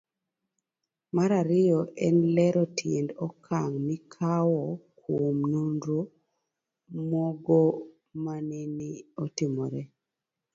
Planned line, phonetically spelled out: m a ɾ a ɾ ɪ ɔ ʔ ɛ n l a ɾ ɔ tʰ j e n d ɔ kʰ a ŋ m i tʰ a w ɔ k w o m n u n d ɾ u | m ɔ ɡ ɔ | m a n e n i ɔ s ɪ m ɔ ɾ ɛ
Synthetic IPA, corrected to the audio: m a ɾ a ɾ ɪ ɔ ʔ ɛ n l ɛ ɾ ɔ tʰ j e n d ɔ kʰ a ŋ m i kʰ a w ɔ k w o m n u n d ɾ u | m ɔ ɡ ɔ | m a n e n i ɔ t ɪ m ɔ ɾ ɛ